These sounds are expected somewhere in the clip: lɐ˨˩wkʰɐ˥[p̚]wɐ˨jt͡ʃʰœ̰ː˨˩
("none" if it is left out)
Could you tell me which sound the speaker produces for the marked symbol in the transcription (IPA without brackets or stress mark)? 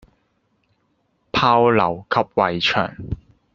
p̚